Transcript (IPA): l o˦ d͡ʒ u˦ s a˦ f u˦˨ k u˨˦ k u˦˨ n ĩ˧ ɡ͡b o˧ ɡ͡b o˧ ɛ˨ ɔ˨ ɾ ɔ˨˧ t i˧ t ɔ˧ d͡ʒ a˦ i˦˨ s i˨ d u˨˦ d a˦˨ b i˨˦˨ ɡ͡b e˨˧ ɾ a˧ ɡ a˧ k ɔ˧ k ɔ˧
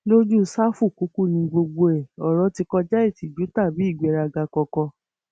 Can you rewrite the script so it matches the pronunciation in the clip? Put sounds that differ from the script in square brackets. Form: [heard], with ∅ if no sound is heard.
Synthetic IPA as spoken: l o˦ d͡ʒ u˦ s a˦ f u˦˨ k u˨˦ k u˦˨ n ĩ˧ ɡ͡b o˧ ɡ͡b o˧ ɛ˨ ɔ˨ ɾ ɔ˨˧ t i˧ [k] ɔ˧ d͡ʒ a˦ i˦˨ [t] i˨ [d͡ʒ] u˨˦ [t] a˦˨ b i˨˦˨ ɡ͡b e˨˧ ɾ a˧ ɡ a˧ k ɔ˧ k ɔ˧